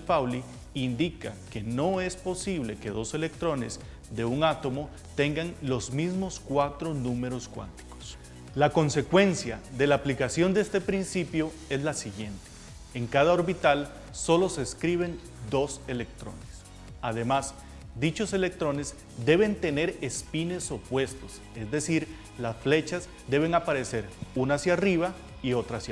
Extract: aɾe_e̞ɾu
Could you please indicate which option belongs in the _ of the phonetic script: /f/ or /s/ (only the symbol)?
s